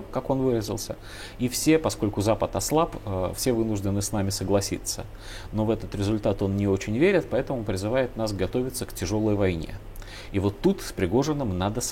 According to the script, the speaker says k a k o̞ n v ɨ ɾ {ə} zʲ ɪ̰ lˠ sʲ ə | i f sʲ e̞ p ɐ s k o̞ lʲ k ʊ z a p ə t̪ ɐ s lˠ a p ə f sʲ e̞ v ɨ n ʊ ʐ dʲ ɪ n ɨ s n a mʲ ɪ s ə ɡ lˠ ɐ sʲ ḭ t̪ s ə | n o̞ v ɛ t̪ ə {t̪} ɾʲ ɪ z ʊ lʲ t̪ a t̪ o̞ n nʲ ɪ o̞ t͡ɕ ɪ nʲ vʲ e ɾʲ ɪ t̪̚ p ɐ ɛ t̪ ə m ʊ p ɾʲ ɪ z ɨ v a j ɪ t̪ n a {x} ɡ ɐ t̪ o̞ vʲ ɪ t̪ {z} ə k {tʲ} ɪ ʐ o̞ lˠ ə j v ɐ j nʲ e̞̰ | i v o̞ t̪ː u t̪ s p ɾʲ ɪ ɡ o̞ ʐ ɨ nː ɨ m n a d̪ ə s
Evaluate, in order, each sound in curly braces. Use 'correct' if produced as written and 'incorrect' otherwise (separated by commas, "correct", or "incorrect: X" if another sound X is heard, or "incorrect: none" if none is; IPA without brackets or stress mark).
correct, correct, incorrect: s, incorrect: s, correct